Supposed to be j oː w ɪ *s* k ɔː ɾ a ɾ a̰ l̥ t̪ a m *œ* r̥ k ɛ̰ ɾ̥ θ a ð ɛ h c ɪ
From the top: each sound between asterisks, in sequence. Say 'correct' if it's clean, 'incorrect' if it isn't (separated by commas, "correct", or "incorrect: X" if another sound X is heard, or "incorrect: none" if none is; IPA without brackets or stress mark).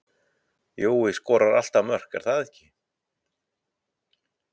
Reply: correct, correct